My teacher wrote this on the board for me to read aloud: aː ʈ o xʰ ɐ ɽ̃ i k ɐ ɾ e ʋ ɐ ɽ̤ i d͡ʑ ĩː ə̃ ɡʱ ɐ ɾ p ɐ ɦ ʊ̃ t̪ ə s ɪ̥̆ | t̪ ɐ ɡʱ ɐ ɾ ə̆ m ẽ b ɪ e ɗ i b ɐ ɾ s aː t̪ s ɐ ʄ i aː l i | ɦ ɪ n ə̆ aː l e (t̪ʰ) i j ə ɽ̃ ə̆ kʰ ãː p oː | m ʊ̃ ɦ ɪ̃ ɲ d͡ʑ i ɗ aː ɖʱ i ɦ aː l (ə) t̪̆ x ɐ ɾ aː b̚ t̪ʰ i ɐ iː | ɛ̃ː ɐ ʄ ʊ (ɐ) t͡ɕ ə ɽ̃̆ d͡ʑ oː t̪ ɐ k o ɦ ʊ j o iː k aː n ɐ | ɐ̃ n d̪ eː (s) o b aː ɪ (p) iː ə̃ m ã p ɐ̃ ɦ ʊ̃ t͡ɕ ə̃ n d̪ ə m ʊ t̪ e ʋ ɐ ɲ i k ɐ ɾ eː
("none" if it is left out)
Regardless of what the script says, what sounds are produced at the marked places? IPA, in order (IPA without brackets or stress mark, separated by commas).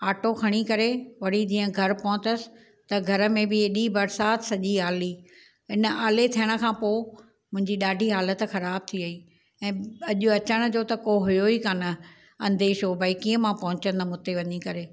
t̪ʰ, ə, ɐ, ʃ, k